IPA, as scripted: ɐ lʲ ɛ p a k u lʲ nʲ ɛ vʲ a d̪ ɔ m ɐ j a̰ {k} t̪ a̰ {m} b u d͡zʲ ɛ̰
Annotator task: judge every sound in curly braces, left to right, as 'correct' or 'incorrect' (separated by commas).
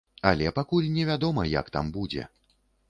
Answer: correct, correct